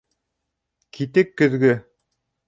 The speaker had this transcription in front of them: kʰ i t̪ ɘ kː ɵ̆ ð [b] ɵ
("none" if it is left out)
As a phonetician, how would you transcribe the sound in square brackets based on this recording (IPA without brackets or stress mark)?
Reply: ɡ